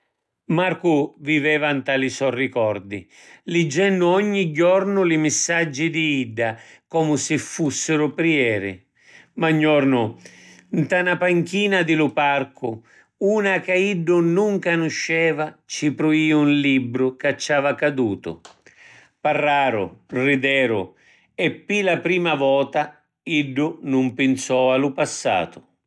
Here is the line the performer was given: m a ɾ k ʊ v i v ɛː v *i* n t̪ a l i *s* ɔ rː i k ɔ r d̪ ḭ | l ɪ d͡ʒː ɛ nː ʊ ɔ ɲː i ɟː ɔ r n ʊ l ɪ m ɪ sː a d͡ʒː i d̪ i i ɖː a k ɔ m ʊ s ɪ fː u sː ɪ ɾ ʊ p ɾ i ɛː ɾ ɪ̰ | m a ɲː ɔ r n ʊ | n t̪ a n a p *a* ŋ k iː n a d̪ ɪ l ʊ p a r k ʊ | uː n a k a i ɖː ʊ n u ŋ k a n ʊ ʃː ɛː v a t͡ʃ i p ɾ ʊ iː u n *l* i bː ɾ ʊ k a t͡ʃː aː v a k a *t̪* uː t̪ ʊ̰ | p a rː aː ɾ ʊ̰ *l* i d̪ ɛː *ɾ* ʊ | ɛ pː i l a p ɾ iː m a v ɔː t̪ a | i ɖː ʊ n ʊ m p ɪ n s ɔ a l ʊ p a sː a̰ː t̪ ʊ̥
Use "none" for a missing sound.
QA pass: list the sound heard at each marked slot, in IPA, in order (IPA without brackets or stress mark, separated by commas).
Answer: a, s, a, l, d̪, r, ɾ